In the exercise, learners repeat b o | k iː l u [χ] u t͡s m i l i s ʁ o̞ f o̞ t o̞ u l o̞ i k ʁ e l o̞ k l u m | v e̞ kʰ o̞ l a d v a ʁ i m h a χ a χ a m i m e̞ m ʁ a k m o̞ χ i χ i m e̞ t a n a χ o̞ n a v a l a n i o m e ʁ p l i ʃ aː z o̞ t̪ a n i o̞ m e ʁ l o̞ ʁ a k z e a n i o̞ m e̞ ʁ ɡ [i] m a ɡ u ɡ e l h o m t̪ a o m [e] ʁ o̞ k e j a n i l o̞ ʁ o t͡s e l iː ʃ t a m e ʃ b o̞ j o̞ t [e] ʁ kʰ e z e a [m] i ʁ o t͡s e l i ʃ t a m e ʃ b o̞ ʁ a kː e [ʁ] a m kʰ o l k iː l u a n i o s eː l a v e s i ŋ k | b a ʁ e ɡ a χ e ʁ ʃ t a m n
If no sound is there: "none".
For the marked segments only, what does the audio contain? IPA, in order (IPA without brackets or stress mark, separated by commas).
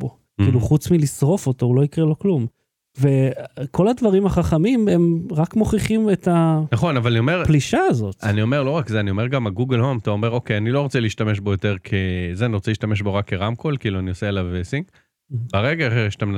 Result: χ, a, e, e, n, ʁ